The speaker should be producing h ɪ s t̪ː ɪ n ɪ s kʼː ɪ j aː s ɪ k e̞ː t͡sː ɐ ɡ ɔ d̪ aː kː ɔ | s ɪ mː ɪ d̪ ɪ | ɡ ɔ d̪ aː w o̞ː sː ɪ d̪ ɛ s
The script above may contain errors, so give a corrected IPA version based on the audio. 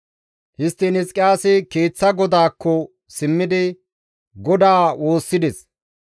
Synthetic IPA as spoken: h ɪ s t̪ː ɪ n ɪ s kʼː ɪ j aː s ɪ k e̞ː t͡sː ɐ ɡ ɔ d̪ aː kː ɔ | s ɪ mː ɪ d̪ ɪ | ɡ ɔ d̪ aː w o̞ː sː ɪ d̪ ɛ s

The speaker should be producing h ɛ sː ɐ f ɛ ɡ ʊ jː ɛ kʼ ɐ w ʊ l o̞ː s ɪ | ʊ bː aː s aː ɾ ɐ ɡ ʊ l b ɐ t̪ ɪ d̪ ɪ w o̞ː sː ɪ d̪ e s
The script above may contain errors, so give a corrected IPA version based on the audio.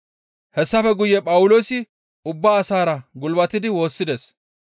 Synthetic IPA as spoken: h ɛ sː ɐ f ɛ ɡ ʊ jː ɛ pʼ ɐ w ʊ l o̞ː s ɪ | ʊ bː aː s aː ɾ ɐ ɡ ʊ l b ɐ t̪ ɪ d̪ ɪ w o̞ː sː ɪ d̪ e s

